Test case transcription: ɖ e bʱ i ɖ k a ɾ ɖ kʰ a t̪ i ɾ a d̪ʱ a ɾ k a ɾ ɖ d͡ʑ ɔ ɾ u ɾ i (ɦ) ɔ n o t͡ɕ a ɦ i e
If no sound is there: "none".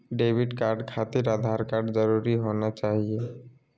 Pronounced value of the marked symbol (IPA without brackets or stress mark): ɦ